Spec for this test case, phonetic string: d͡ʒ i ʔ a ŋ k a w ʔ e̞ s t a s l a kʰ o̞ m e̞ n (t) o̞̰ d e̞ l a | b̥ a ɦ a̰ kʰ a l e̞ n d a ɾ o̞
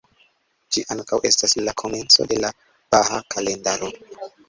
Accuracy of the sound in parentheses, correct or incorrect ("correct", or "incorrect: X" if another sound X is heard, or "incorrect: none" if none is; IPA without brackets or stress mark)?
incorrect: t͡s